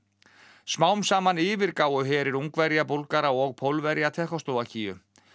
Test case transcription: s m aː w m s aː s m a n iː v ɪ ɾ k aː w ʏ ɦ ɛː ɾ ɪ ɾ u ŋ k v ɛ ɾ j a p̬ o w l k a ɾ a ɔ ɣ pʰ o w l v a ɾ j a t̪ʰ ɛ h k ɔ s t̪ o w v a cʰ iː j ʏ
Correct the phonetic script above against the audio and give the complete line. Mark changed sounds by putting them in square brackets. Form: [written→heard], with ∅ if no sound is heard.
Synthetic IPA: s m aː w m s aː [s→∅] m a n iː v ɪ ɾ k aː w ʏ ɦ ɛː ɾ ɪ ɾ u ŋ k v ɛ ɾ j a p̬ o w l k a ɾ a ɔ ɣ pʰ o w l v [a→ɛ] ɾ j a t̪ʰ ɛ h k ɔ s t̪ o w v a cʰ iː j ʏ